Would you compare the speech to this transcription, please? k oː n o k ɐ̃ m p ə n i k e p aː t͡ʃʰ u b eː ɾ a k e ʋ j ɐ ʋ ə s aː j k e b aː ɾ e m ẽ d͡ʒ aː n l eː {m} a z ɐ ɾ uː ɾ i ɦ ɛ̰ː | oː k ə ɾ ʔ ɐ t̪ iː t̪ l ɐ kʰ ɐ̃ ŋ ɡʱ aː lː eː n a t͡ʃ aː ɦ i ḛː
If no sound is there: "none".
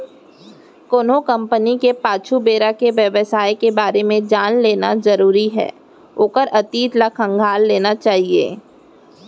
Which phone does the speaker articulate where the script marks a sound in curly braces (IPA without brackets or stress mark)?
n